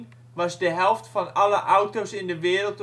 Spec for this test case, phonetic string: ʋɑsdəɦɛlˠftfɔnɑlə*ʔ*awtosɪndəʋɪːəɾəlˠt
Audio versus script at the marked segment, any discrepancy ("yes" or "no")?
no